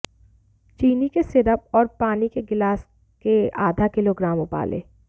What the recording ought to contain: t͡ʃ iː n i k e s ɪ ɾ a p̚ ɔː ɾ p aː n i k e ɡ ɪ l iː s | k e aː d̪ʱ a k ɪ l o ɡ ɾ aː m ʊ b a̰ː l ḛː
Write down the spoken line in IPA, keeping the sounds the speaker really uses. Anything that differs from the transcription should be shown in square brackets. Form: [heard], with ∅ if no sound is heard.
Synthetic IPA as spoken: t͡ʃ iː n i k e s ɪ ɾ [ə] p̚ ɔː ɾ p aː n i k e ɡ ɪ l [aː] s | k e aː d̪ʱ a k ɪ l o ɡ ɾ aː m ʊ [p] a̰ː l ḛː